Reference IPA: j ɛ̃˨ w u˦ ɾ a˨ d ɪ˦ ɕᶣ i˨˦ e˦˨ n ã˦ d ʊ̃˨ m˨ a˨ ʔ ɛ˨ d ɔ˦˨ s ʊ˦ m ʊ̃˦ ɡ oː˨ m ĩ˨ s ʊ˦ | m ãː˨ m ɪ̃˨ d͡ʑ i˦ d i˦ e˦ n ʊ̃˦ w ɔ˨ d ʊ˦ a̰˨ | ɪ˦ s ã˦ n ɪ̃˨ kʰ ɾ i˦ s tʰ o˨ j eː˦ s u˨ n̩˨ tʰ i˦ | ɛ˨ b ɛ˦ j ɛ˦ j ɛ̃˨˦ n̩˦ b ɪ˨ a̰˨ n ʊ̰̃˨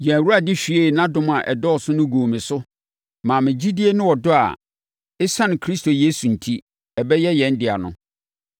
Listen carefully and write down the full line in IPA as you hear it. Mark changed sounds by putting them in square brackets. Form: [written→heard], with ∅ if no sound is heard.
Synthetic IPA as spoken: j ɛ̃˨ w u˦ ɾ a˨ d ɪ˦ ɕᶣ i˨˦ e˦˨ n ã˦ d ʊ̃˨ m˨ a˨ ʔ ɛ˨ d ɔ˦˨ s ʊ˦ [m→n] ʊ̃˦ ɡ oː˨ m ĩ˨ s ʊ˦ | m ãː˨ m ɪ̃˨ d͡ʑ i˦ d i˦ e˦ n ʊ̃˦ w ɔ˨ d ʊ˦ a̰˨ | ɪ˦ s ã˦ n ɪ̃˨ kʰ ɾ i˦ s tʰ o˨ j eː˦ s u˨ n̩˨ tʰ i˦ | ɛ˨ b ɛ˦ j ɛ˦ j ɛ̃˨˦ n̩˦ [b→d] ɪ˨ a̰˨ n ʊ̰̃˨

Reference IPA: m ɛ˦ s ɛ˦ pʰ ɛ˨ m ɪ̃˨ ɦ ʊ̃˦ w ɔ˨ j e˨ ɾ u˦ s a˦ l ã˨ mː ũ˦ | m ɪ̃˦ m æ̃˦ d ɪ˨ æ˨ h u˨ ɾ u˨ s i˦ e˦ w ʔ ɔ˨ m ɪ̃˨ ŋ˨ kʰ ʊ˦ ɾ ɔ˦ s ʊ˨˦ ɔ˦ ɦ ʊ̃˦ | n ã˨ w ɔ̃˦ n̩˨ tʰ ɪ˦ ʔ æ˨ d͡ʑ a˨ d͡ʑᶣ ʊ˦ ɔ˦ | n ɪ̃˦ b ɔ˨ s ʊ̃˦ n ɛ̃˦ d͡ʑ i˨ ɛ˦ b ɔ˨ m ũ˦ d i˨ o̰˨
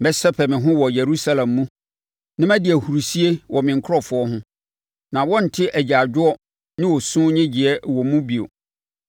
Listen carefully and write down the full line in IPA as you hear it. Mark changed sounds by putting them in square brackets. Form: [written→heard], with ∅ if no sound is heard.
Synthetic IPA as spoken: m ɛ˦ s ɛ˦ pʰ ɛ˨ m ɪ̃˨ ɦ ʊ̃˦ w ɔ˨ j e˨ ɾ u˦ s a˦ l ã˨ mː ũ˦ | [m→n] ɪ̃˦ m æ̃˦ d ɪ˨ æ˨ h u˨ ɾ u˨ s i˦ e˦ w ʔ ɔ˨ m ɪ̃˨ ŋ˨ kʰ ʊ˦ ɾ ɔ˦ [s→f] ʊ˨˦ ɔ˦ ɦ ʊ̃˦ | n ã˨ w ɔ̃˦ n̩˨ tʰ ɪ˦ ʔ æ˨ d͡ʑ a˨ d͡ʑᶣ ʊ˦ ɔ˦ | n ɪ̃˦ [b→w] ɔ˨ s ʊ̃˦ [n→ɲ] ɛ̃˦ d͡ʑ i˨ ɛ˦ [b→w] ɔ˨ m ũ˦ [d→b] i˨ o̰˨

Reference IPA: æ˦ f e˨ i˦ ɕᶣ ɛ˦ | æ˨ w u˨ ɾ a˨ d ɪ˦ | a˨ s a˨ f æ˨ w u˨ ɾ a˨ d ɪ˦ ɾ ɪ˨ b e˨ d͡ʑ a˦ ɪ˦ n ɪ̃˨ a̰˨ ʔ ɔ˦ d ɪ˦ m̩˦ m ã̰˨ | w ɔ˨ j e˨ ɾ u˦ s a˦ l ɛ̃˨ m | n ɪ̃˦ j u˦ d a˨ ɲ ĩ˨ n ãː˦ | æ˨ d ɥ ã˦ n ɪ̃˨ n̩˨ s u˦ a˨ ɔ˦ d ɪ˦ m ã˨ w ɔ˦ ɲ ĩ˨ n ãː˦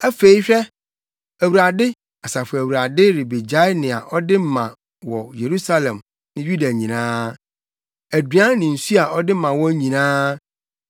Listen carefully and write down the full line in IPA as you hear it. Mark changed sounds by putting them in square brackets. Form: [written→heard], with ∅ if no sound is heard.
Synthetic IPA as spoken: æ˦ f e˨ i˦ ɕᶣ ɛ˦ | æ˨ w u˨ ɾ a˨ d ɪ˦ | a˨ s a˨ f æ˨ w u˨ ɾ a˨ d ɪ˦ ɾ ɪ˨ b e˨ d͡ʑ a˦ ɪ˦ n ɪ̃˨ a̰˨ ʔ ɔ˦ d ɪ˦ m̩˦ m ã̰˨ | w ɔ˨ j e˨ ɾ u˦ s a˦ l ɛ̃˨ m | n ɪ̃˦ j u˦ d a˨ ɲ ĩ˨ n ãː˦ | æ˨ d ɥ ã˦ n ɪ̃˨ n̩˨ s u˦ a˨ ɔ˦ d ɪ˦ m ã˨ w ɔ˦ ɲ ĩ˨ n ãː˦

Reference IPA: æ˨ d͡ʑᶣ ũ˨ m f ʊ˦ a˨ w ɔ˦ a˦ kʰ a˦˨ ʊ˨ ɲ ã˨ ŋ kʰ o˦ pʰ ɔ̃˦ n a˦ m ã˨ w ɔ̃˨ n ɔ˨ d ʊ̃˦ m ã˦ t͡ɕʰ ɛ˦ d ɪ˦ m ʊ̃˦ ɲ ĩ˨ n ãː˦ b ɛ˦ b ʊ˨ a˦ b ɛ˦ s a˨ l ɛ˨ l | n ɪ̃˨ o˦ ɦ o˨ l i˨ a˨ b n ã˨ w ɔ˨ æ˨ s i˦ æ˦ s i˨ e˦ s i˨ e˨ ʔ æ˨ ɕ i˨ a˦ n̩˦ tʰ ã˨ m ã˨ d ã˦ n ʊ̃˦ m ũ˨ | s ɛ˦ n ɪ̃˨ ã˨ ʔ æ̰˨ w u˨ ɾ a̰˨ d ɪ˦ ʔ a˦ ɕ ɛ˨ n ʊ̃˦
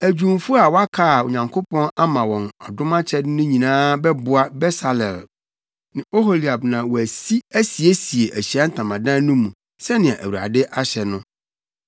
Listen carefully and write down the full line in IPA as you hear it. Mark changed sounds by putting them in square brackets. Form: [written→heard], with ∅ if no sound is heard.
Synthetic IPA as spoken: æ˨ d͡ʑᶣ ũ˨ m f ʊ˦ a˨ w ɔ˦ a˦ kʰ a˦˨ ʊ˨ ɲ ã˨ ŋ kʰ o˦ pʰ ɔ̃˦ n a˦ m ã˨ w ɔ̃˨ n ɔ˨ d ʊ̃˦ m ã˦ t͡ɕʰ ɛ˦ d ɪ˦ [m→n] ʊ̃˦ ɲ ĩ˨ n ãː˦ b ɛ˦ b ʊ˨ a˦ b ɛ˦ s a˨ l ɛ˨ l | n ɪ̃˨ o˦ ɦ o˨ l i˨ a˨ b n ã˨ w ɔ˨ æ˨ s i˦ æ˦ s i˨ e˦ s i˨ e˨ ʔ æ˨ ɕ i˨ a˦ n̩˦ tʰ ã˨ m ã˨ d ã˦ n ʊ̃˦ m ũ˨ | s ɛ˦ n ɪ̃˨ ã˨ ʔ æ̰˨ w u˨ ɾ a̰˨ d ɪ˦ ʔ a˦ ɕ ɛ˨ n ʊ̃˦

